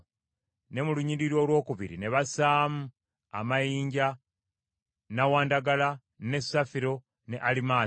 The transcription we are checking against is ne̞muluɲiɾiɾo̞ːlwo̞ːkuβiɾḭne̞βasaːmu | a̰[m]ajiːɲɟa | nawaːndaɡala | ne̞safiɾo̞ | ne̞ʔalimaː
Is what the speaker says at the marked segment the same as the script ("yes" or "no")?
yes